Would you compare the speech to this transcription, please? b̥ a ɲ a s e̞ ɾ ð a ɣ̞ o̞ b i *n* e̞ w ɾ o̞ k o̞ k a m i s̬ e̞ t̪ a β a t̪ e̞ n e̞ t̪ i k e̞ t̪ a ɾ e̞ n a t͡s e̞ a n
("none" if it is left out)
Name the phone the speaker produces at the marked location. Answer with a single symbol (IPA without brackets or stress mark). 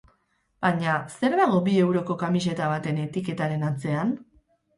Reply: none